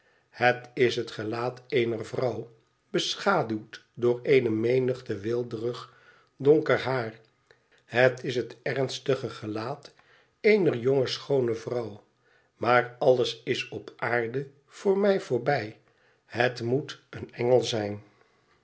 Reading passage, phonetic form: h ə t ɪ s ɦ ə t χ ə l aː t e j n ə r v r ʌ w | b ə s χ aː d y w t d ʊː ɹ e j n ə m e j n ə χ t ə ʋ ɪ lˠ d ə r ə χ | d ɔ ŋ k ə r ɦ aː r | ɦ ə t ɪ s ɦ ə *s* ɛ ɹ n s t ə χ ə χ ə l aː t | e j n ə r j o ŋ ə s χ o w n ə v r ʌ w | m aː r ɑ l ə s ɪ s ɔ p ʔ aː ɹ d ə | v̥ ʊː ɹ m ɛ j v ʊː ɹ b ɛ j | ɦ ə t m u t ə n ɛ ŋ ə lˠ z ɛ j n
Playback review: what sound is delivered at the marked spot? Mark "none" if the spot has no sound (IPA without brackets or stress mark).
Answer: t